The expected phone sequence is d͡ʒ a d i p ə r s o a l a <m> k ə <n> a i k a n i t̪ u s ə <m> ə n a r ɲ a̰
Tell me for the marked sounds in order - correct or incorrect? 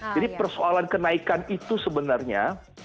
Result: incorrect: n, correct, incorrect: b

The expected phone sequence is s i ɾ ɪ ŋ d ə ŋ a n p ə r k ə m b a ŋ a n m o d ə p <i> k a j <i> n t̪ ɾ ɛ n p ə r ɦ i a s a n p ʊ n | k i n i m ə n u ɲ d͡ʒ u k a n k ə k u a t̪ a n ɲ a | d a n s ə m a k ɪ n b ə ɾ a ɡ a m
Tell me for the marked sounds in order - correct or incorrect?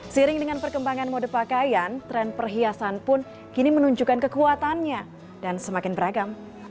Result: incorrect: a, incorrect: a

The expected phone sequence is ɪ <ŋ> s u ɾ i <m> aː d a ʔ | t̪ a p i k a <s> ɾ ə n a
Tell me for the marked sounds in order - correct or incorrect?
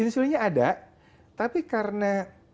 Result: incorrect: n, incorrect: ɲ, incorrect: none

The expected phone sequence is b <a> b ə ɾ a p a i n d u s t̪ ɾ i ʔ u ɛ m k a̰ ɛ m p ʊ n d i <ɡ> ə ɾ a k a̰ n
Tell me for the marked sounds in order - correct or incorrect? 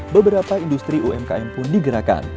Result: incorrect: ə, correct

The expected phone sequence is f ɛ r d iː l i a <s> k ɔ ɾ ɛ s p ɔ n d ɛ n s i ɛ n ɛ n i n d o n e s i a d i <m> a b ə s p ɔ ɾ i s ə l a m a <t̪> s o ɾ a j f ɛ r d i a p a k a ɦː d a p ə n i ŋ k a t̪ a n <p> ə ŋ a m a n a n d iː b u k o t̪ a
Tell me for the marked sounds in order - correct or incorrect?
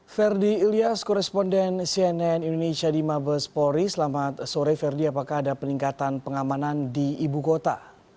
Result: correct, correct, correct, correct

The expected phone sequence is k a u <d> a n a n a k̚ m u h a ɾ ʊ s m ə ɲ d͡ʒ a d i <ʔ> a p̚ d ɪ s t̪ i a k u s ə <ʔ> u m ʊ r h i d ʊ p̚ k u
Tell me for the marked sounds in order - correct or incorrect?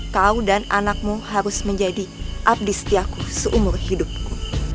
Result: correct, correct, correct

